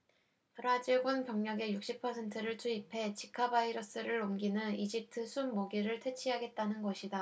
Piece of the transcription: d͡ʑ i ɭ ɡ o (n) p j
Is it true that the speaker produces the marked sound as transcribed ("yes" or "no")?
yes